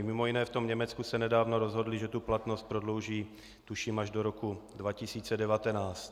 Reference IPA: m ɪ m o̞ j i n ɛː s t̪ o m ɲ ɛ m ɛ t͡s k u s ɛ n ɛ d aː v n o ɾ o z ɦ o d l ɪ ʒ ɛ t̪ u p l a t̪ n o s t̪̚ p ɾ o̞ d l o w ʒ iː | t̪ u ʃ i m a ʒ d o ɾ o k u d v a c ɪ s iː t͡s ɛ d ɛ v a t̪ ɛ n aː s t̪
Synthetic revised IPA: m ɪ m o̞ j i n ɛː f t̪ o m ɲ ɛ m ɛ t͡s k u s ɛ n ɛ d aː v n o ɾ o z ɦ o d l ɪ ʒ ɛ t̪ u p l a t̪ n o s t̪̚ p ɾ o̞ d l o w ʒ iː | t̪ u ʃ i m a ʒ d o ɾ o k u d v a c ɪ s iː t͡s ɛ d ɛ v a t̪ ɛ n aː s t̪